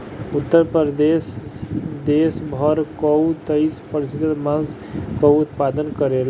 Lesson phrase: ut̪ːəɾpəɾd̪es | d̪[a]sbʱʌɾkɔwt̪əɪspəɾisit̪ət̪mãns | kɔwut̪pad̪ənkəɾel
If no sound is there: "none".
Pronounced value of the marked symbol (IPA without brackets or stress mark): e